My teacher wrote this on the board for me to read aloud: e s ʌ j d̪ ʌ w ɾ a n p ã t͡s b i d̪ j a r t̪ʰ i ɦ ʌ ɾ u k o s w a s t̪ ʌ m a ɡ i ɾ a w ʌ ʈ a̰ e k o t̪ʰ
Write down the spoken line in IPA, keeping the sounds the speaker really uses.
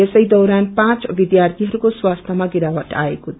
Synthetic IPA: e s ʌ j d̪ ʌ w ɾ a n p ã t͡s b i d̪ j a r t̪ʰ i ɦ ʌ ɾ u k o s w a s t̪ʰ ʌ m a ɡ i ɾ a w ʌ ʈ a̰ e k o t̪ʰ